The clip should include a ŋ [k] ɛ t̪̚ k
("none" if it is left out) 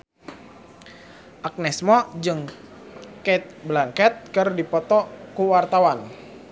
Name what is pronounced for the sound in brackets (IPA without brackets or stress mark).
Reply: k